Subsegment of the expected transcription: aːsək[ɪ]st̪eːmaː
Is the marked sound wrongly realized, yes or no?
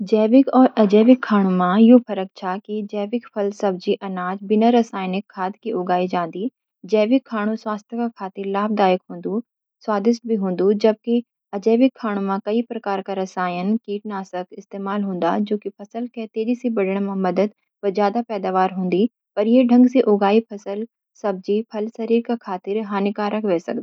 no